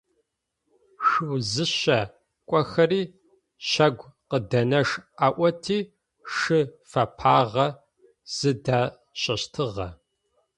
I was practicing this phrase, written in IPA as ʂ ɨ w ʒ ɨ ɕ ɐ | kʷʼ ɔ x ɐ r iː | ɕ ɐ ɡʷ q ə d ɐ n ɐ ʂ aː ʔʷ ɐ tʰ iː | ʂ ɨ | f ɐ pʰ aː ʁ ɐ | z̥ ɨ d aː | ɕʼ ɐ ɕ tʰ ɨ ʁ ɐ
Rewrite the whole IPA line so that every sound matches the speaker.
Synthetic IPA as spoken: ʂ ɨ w z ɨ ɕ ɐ | kʷʼ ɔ x ɐ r iː | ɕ ɐ ɡʷ q ə d ɐ n ɐ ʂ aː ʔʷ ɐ tʰ iː | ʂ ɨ | f ɐ pʰ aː ʁ ɐ | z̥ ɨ d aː | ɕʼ ɐ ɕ tʰ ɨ ʁ ɐ